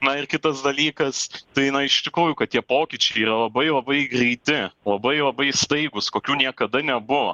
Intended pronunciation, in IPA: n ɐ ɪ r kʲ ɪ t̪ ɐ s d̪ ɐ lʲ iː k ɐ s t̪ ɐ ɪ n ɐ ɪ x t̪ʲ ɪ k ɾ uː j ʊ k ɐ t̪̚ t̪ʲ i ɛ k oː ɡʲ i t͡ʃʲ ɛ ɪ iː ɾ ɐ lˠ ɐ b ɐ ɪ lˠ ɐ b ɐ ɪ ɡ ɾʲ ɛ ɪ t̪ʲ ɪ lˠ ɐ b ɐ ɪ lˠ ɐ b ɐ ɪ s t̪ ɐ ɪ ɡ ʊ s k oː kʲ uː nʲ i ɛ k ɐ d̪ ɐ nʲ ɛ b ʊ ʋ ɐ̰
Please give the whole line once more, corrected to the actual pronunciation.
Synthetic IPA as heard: n ɐ ɪ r kʲ ɪ t̪ ɐ s d̪ ɐ lʲ iː k ɐ s t̪ ɐ ɪ n ɐ ɪ ʃ t̪ʲ ɪ k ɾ uː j ʊ k ɐ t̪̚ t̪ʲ i ɛ p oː kʲ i t͡ʃʲ ɛ ɪ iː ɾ ɐ lˠ ɐ b ɐ ɪ lˠ ɐ b ɐ ɪ ɡ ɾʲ ɛ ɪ t̪ʲ ɪ lˠ ɐ b ɐ ɪ lˠ ɐ b ɐ ɪ s t̪ ɐ ɪ ɡ ʊ s k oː kʲ uː nʲ i ɛ k ɐ d̪ ɐ nʲ ɛ b ʊ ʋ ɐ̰